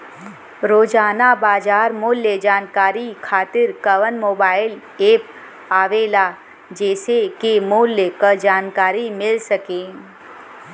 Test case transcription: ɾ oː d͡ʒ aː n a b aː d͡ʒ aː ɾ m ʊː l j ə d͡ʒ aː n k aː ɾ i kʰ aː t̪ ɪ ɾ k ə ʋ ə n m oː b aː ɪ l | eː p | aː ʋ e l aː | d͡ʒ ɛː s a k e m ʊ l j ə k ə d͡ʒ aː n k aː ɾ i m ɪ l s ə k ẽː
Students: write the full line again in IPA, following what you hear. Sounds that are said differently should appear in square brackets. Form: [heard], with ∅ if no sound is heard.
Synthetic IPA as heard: ɾ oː d͡ʒ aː n a b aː d͡ʒ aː ɾ m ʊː l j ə d͡ʒ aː n k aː ɾ i kʰ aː t̪ ɪ ɾ k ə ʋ ə n m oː b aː ɪ l | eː p | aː ʋ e l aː | d͡ʒ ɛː s [e] k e m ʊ l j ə k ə d͡ʒ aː n k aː ɾ i m ɪ l s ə k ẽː